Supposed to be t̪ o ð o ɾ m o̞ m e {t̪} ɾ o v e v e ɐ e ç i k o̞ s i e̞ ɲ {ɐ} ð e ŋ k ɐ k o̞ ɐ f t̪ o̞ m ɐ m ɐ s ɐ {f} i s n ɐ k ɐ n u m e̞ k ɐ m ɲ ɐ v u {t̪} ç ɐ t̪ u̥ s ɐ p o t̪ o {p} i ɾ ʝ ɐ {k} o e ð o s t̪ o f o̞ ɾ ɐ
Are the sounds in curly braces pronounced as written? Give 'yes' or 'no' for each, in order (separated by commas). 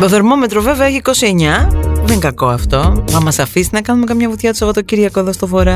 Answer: yes, yes, yes, yes, no, yes